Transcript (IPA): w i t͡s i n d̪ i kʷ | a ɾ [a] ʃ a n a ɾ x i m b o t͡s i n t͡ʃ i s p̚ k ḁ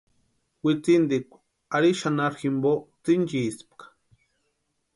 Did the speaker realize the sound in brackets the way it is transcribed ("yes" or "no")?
no